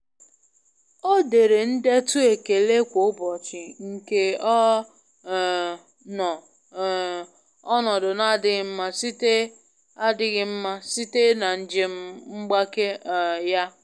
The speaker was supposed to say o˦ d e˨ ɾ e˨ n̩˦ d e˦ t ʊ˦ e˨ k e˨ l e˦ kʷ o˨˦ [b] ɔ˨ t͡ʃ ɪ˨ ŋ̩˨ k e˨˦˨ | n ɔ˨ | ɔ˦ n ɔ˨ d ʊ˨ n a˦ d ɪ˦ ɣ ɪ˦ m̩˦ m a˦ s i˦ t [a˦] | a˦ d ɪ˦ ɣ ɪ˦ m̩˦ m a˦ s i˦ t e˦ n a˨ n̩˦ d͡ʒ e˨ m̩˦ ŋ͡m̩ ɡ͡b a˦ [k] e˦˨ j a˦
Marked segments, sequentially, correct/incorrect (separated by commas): correct, incorrect, correct